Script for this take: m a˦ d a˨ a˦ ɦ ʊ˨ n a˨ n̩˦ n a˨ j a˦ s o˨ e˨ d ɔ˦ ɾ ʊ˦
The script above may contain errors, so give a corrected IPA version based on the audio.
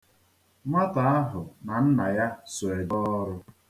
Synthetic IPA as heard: m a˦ t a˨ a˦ ɦ ʊ˨ n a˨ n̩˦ n a˨ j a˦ s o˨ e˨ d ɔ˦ ɾ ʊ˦